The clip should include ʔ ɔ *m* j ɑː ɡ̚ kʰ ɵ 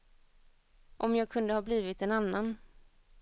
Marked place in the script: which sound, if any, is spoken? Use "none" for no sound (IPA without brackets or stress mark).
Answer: m